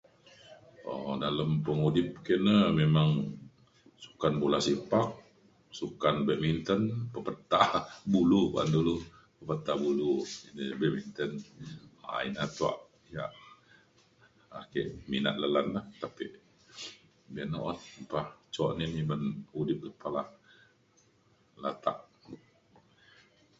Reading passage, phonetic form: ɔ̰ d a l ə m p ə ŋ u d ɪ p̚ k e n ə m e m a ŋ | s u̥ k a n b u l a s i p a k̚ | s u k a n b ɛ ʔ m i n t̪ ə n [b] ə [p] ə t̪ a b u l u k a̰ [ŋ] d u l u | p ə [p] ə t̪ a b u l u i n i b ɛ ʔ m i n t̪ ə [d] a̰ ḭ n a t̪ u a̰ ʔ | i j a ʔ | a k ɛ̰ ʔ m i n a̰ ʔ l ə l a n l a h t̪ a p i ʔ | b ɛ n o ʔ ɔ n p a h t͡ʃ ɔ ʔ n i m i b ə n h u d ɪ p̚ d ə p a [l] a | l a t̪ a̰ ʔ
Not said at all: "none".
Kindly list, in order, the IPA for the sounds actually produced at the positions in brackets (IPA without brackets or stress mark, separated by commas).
p, p, n, p, n, l